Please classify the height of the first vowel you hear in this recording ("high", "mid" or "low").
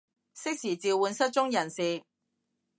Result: high